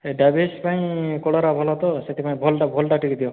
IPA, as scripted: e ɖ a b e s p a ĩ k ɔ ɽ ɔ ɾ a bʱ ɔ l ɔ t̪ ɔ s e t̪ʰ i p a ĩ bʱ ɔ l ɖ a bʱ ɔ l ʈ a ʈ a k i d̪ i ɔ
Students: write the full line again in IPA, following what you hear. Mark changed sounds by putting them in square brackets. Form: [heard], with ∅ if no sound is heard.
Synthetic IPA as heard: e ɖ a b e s p a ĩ k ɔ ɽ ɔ ɾ a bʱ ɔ l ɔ t̪ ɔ s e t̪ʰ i p a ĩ bʱ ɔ l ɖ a bʱ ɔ l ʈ a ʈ [i] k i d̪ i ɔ